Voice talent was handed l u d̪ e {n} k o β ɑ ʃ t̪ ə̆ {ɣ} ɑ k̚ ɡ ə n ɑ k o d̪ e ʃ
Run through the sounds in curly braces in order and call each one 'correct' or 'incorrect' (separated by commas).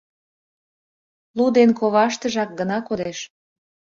correct, incorrect